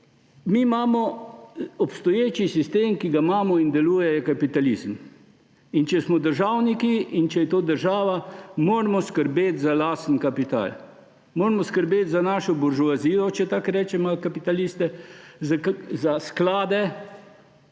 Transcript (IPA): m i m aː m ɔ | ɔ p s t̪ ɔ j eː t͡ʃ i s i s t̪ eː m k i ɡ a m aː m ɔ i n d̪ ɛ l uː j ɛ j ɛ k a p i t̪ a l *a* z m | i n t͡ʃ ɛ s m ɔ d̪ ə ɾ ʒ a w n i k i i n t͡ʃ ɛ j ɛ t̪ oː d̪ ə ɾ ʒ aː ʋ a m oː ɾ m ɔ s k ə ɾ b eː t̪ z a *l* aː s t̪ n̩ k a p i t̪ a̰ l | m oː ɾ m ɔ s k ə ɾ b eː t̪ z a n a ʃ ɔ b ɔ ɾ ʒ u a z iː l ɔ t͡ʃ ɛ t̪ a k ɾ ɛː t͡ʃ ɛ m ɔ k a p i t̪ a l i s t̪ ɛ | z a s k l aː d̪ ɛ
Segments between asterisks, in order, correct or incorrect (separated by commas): incorrect, correct